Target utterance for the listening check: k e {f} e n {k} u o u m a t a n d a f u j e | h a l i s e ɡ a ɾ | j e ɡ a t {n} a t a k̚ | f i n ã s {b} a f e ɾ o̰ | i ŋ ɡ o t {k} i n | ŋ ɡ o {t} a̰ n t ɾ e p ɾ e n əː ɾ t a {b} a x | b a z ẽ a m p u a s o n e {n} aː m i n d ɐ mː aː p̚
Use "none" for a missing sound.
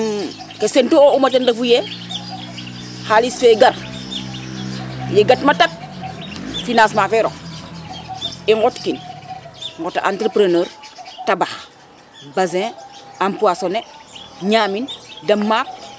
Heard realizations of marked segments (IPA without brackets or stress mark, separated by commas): s, t, m, m, k, t, b, ɲ